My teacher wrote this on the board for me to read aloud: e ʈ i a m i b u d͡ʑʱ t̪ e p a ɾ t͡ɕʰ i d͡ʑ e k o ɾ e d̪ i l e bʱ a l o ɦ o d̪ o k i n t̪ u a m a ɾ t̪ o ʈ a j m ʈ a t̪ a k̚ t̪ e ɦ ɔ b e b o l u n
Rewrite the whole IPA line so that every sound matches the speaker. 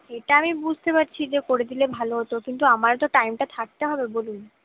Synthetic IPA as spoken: e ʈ a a m i b u d͡ʑʱ t̪ e p a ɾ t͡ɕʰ i d͡ʑ e k o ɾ e d̪ i l e bʱ a l o ɦ o t̪ o k i n t̪ u a m a ɾ t̪ o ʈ a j m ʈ a t̪ʰ a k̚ t̪ e ɦ ɔ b e b o l u n